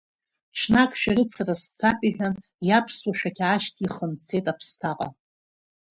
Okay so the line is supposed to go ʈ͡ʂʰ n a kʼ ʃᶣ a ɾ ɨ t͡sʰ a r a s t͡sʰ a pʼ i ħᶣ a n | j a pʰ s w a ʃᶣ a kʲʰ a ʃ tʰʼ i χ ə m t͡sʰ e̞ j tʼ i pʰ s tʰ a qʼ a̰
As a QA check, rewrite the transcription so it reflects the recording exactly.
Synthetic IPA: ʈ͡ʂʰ n a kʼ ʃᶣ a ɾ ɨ t͡sʰ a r a s t͡sʰ a pʼ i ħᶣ a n | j a pʰ s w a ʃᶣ a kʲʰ a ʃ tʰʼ i χ ə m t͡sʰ e̞ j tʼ a pʰ s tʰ a qʼ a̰